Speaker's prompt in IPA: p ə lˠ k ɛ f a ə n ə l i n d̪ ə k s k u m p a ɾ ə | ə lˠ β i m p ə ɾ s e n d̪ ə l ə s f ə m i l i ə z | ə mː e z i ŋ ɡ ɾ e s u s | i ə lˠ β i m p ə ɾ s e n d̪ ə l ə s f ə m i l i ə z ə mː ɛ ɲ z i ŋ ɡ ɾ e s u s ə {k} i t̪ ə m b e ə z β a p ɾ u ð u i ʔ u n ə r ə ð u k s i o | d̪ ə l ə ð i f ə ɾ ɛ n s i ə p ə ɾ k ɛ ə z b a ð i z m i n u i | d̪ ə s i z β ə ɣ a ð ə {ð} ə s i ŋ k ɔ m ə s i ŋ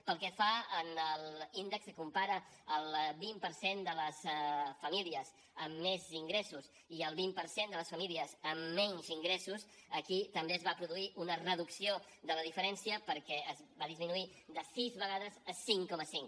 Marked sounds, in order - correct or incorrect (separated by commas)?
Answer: correct, incorrect